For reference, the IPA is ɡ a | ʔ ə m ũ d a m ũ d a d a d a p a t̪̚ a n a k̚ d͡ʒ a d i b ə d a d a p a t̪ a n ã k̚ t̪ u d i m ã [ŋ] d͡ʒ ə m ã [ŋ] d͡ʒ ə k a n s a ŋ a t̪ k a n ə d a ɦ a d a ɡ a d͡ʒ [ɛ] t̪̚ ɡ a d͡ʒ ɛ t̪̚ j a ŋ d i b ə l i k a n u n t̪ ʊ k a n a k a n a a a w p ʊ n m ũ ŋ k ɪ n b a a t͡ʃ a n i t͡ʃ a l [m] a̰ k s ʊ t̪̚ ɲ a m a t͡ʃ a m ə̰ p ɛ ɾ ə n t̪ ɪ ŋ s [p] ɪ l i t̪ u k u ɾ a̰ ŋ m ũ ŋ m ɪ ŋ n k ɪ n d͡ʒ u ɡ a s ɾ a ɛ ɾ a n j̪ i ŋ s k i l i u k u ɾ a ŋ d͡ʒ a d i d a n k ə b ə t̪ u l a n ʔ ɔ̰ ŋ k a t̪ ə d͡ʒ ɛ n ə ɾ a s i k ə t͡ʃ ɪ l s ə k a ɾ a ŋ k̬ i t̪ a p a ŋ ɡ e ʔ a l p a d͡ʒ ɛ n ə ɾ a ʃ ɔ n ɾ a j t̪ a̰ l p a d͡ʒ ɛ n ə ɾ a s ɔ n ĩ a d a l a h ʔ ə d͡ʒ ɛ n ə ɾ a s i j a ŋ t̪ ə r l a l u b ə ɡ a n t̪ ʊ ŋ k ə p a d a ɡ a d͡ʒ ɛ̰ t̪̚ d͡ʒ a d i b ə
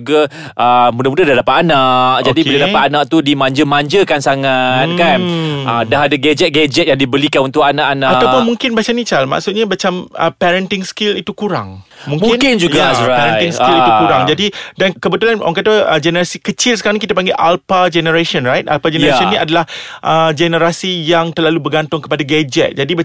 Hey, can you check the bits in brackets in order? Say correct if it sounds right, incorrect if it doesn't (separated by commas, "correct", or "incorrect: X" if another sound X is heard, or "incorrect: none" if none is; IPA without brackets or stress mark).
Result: incorrect: ɲ, incorrect: ɲ, correct, correct, incorrect: k